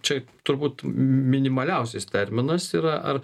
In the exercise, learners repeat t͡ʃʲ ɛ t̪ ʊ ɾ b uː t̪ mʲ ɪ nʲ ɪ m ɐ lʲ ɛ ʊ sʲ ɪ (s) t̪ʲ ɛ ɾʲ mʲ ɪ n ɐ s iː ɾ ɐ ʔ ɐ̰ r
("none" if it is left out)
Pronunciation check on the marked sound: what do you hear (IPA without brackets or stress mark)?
s